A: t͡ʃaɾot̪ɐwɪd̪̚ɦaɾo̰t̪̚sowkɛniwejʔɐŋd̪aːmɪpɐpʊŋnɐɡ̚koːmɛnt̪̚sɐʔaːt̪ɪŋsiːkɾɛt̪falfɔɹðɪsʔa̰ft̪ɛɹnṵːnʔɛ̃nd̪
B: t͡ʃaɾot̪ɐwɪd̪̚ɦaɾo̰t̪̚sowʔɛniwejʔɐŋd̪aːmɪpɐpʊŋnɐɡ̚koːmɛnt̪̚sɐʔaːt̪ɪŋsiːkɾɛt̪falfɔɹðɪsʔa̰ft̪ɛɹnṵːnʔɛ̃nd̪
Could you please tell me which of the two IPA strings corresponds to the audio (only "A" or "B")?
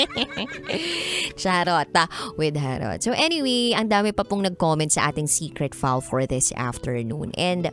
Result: B